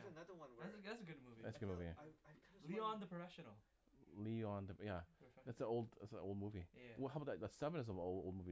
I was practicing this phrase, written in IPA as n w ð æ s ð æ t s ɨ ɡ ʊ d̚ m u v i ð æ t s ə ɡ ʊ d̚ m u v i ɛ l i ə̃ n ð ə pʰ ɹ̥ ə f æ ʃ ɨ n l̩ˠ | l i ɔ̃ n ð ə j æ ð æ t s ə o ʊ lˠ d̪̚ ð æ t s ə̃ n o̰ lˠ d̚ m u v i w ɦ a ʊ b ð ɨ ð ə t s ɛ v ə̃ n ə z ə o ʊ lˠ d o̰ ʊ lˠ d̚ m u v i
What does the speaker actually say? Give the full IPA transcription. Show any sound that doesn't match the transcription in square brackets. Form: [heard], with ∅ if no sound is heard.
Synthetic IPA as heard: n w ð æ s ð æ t s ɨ ɡ ʊ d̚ m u v i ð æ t s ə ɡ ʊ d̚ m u v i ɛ l i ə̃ n ð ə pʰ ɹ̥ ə f [ɛ] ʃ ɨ n l̩ˠ | l i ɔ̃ n ð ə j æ ð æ t s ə o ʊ lˠ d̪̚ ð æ t s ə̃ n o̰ lˠ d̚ m u v i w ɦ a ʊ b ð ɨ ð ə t s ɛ v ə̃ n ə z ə o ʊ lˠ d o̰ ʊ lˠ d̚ m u v i